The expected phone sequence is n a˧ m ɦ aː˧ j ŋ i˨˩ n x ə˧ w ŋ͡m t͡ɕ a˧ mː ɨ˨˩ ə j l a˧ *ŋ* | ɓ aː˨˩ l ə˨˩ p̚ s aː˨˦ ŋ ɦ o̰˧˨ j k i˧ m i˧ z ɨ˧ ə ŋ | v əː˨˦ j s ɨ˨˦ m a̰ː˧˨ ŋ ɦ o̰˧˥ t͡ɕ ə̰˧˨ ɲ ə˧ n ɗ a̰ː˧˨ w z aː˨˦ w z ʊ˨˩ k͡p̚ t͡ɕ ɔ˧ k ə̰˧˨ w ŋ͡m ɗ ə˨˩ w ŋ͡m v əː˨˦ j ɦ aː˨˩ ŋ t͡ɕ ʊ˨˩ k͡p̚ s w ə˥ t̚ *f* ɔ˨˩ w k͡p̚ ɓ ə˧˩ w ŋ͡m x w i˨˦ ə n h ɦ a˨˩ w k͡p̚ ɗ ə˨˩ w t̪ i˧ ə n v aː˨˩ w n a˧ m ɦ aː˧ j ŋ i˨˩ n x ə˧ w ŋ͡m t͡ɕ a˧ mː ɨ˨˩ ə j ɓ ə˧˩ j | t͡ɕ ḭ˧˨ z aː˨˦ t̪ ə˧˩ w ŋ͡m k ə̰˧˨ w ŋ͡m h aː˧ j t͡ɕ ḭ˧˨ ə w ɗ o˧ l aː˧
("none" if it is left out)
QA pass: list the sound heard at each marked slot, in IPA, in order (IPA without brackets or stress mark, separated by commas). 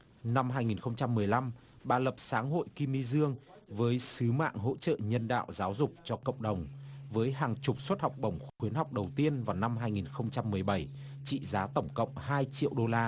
m, h